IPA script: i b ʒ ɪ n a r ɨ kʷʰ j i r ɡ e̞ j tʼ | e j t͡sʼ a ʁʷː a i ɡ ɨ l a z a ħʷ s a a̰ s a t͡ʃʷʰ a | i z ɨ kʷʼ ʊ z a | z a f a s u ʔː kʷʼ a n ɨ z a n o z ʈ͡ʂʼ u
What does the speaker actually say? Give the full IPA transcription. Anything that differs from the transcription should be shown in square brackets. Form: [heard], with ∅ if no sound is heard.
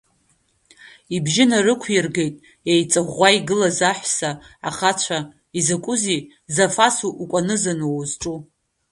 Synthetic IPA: i b ʒ ɪ n a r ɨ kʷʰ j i r ɡ e̞ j tʼ | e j t͡sʼ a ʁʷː a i ɡ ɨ l a z a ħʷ s a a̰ [χ] a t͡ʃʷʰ a | i z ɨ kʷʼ ʊ z [i] | z a f a s u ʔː kʷʼ a n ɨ z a n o z ʈ͡ʂʼ u